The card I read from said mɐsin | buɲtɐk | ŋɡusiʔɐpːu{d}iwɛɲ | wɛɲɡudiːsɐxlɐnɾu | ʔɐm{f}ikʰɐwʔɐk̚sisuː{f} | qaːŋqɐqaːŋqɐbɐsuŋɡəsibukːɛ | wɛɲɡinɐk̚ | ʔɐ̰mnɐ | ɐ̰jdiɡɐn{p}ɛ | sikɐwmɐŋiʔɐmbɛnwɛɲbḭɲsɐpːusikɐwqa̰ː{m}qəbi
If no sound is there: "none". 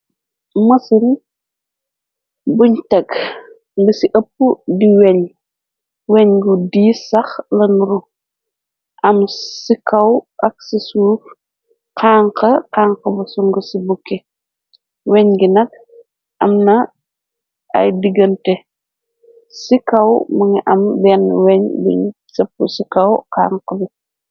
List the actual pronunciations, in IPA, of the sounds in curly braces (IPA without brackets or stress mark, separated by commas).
d, s, f, t, ŋ